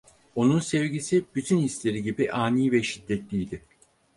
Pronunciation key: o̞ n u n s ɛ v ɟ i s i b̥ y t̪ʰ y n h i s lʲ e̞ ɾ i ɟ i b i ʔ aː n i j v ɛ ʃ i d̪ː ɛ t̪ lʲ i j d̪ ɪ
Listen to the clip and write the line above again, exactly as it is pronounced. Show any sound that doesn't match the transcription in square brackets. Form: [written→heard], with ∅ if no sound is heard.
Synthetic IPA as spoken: o̞ n u n s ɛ v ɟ i s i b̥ y t̪ʰ y n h i s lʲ e̞ ɾ i ɟ i b i ʔ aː n i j v ɛ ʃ i d̪ː ɛ t̪ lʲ i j d̪ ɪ